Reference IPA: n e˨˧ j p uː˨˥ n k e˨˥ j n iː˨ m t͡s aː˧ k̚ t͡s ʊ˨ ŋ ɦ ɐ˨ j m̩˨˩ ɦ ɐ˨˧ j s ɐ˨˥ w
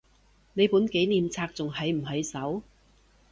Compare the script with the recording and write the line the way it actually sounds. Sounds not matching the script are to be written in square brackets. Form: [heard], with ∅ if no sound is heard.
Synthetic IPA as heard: n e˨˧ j p uː˨˥ n k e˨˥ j n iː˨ m [t͡sʰ] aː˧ k̚ t͡s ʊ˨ ŋ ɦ ɐ˨ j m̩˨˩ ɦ ɐ˨˧ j s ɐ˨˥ w